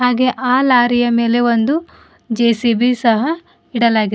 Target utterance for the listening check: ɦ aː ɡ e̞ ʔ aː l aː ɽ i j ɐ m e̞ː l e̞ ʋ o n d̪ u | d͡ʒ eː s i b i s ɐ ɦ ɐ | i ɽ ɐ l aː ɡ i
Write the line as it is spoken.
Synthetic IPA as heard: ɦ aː ɡ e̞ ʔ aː l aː ɾ i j ɐ m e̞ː l e̞ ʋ o n d̪ u | d͡ʒ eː s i b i s ɐ ɦ ɐ | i ɽ ɐ l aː ɡ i